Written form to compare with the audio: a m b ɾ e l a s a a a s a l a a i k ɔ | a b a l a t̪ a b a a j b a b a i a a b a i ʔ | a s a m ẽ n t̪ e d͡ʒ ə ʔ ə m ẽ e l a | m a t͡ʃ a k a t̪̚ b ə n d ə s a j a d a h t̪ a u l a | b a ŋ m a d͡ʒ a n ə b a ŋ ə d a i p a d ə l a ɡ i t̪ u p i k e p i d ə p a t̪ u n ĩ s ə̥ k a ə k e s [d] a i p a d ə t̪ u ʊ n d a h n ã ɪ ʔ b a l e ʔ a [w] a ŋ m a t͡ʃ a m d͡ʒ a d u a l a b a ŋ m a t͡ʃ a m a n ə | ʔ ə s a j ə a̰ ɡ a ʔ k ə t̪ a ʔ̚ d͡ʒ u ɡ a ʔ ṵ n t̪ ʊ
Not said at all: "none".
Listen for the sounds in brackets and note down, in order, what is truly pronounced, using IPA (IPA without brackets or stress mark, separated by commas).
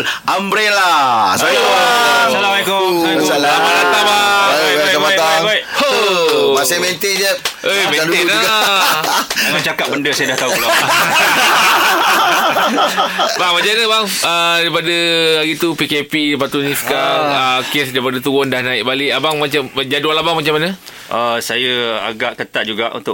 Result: d, b